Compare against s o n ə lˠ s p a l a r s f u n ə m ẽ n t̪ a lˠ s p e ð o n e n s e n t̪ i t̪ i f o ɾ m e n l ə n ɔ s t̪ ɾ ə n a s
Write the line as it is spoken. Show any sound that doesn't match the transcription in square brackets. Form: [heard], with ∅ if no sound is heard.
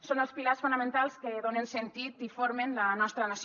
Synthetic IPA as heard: s o n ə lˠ s p [i] l a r s f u n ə m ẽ n t̪ a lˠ s [k] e ð o n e n s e n t̪ i t̪ i f o ɾ m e n l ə n ɔ s t̪ ɾ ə n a s